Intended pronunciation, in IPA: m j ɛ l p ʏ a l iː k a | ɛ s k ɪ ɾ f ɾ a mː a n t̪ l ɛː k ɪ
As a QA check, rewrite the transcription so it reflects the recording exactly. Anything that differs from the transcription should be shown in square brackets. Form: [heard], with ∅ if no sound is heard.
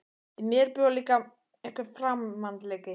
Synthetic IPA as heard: m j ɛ [ɾ] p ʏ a l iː k a | ɛ [h] k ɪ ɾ f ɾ a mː a n t̪ l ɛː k ɪ